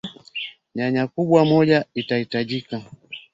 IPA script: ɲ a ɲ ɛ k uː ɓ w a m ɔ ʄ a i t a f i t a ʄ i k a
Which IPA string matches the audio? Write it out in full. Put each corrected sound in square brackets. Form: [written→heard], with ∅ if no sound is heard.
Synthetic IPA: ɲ a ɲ [ɛ→a] k [uː→u] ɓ w a m ɔ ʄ a i t a [f→h] i t a ʄ i k a